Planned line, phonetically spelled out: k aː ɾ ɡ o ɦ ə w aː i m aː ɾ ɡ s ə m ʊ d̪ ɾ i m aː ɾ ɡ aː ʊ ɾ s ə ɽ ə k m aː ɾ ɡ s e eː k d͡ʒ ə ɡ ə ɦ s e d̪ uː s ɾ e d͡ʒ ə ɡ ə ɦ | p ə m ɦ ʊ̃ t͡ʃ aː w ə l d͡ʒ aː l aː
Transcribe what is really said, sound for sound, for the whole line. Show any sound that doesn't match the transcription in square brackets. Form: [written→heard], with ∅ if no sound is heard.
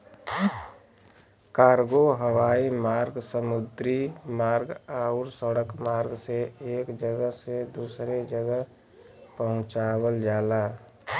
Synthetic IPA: k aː ɾ ɡ o ɦ ə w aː i m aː ɾ ɡ s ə m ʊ d̪ ɾ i m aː ɾ ɡ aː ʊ ɾ s ə ɽ ə k m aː ɾ ɡ s e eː k d͡ʒ ə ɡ ə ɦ s e d̪ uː s ɾ e d͡ʒ ə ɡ ə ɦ | p ə [m→∅] ɦ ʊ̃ t͡ʃ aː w ə l d͡ʒ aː l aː

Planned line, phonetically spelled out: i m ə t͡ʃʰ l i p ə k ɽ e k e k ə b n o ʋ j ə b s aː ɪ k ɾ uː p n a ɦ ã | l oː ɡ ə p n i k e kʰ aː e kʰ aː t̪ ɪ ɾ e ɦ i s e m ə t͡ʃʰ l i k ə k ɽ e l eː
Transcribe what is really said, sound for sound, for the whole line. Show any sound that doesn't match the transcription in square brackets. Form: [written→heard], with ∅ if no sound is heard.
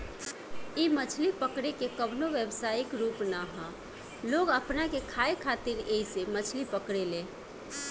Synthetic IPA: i m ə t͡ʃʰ l i p ə k ɽ e k e k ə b n o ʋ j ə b s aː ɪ k ɾ uː p n a ɦ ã | l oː ɡ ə p n [i→a] k e kʰ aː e kʰ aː t̪ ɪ ɾ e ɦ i s e m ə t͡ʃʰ l i [k→p] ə k ɽ e l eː

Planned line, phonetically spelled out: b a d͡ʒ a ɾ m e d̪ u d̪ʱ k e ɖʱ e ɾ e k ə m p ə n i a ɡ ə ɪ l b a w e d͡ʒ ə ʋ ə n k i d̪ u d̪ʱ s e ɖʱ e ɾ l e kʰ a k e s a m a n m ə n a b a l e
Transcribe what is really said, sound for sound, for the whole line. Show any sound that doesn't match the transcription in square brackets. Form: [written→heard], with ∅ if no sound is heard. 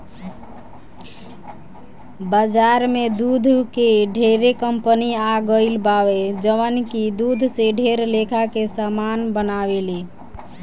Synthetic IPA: b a d͡ʒ a ɾ m e d̪ u d̪ʱ k e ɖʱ e ɾ e k ə m p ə n i a ɡ ə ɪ l b a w e d͡ʒ ə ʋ ə n k i d̪ u d̪ʱ s e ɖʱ e ɾ l e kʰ a k e s a m a n [m→b] ə n a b [a→e] l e

